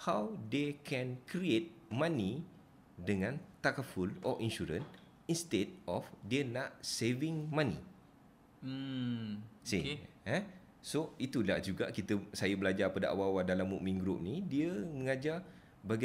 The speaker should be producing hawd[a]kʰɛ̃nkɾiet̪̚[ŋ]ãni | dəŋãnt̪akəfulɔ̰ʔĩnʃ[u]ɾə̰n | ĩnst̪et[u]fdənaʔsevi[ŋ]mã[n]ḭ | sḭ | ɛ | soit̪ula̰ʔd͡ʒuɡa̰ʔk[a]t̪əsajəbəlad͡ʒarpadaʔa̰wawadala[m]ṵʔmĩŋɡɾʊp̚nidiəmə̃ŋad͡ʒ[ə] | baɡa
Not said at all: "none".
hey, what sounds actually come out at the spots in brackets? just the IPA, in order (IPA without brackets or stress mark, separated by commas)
e, m, u, ɔ, ŋ, n, i, m, a